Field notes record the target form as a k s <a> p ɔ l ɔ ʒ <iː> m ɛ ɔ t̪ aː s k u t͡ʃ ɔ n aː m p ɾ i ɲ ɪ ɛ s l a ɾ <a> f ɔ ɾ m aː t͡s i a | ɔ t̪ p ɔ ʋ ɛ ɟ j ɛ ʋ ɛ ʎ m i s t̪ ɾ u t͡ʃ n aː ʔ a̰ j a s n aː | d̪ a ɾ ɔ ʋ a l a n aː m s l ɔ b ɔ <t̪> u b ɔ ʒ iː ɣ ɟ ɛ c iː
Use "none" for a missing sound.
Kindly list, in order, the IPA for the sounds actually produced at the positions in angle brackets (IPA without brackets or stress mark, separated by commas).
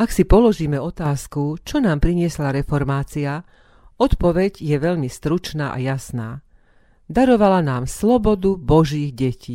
i, iː, ɛ, d̪